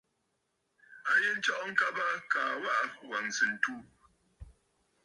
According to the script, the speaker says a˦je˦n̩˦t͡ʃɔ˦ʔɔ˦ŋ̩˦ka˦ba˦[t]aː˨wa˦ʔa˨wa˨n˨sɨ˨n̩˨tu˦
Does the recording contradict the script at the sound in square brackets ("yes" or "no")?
yes